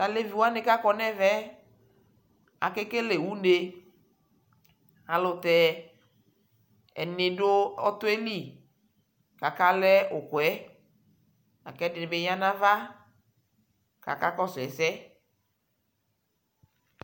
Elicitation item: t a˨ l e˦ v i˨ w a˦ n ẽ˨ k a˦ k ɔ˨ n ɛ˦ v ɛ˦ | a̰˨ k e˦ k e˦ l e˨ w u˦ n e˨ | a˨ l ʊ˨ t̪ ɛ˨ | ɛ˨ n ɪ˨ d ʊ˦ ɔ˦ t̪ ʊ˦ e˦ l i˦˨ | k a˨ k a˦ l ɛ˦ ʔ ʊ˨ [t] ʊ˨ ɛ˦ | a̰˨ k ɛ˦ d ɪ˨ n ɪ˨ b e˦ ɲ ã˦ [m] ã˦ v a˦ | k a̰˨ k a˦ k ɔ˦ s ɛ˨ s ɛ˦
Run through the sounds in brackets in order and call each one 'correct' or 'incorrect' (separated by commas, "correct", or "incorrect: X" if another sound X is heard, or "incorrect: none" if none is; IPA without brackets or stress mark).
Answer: incorrect: k, incorrect: n